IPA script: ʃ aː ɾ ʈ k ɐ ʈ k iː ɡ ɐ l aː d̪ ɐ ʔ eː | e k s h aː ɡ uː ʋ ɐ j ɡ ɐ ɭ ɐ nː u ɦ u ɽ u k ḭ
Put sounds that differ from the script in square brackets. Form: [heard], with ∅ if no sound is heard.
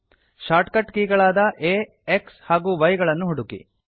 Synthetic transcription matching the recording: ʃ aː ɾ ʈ k ɐ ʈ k iː ɡ ɐ [ɭ] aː d̪ ɐ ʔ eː | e k s h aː ɡ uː ʋ ɐ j ɡ ɐ ɭ ɐ nː u ɦ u ɽ u k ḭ